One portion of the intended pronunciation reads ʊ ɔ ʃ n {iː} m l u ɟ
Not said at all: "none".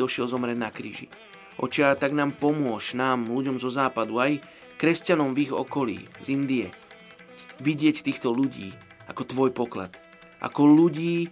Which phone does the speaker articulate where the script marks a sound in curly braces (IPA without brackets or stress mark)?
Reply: aː